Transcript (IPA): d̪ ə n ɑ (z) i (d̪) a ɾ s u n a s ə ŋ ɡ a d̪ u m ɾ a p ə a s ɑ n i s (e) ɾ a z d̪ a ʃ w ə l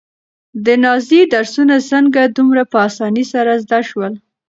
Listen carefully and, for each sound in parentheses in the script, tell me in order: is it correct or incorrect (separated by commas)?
correct, correct, incorrect